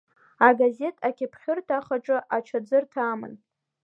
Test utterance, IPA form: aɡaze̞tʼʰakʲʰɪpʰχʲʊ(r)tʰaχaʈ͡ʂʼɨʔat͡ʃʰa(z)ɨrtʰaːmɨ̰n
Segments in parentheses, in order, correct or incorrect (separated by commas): correct, incorrect